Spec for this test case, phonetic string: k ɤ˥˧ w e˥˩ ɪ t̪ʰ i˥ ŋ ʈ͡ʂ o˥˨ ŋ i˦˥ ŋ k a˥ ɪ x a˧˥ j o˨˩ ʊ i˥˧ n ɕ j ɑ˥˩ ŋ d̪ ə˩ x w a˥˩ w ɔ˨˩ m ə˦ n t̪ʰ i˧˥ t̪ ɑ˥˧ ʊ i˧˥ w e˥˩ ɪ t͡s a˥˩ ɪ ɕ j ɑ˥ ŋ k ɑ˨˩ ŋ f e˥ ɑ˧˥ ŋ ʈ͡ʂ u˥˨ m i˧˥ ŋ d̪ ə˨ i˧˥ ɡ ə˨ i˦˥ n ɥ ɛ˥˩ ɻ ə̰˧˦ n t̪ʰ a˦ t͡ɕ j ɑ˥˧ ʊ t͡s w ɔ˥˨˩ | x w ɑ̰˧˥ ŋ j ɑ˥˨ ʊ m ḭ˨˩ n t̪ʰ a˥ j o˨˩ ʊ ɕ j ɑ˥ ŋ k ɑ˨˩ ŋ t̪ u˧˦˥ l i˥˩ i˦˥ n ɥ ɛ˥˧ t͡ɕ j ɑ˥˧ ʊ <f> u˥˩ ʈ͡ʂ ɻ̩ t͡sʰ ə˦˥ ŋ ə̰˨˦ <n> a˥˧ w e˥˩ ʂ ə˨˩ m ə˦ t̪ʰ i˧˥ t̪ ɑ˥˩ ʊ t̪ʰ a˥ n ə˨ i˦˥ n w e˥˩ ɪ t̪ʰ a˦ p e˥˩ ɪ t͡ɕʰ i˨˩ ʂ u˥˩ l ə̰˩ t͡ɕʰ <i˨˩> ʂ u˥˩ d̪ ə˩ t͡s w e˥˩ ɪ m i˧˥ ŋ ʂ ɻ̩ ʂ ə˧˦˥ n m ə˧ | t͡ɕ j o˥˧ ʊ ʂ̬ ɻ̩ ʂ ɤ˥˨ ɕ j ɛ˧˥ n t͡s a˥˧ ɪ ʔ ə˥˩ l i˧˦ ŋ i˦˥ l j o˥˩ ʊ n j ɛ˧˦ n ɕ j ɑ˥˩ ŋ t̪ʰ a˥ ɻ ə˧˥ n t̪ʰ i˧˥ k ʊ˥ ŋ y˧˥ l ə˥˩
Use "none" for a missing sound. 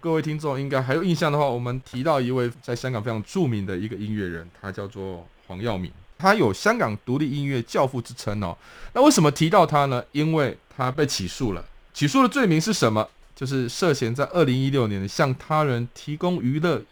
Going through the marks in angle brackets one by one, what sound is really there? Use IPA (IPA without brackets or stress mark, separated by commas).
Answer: f, n, i˨˩